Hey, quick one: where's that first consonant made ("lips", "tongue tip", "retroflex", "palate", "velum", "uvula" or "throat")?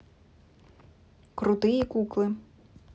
velum